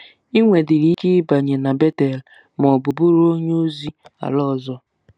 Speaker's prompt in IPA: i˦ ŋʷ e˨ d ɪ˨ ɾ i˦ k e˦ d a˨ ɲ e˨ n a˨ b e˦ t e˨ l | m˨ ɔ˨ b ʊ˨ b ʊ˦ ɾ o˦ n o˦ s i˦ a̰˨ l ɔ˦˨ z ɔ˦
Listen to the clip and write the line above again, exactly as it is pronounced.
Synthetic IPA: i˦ ŋʷ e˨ d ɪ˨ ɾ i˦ k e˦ b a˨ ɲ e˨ n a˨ b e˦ t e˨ l | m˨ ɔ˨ b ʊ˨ b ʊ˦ ɾ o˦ ɲ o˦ z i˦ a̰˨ l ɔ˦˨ z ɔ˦